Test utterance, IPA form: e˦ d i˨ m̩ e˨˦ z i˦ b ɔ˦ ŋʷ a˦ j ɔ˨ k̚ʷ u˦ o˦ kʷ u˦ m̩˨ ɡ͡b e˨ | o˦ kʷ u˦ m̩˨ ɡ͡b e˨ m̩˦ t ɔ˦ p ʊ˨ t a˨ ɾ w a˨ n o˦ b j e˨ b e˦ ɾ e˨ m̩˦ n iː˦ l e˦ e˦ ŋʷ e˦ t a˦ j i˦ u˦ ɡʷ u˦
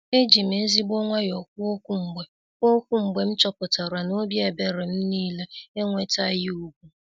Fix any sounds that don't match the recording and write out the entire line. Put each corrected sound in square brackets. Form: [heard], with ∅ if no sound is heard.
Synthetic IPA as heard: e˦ [d͡ʒ] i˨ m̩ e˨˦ z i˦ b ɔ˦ ŋʷ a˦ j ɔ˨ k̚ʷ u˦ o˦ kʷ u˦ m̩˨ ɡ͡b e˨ | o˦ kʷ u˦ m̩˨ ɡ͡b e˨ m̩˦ [t͡ʃ] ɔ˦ p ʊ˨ t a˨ ɾ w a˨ n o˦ b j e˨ b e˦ ɾ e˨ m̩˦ n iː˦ l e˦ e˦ ŋʷ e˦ t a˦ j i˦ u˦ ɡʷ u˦